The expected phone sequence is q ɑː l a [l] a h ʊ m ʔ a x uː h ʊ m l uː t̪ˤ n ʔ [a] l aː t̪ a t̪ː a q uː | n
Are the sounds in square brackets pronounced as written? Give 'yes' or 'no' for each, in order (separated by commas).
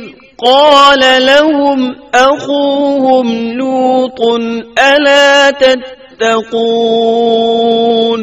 yes, yes